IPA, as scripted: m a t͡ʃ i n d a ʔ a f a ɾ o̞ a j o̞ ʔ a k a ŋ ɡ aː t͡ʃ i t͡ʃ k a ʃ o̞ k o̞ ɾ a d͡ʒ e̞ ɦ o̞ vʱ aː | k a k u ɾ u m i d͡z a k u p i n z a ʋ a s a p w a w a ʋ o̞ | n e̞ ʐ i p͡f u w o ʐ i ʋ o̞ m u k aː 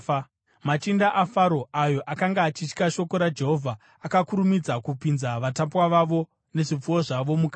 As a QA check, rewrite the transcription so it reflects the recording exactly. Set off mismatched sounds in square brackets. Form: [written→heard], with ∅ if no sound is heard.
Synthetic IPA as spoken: m a t͡ʃ i n d a ʔ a f a ɾ o̞ a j o̞ ʔ a k a ŋ ɡ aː t͡ʃ i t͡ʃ k a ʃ o̞ k o̞ ɾ a d͡ʒ e̞ ɦ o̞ vʱ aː | k a k u ɾ u m i d͡z a k u p i n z a ʋ a [s→t] a p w a [w→ʋ] a ʋ o̞ | n e̞ ʐ i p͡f u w o ʐ [i→a] ʋ o̞ m u k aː